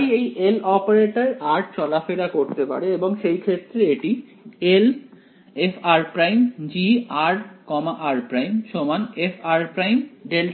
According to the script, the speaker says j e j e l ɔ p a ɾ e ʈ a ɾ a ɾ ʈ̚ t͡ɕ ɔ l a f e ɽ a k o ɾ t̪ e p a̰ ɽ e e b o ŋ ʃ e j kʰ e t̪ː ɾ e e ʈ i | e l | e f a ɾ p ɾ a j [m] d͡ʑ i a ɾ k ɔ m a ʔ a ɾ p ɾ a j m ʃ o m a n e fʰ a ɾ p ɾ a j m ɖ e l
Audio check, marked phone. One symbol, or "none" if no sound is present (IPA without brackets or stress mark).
m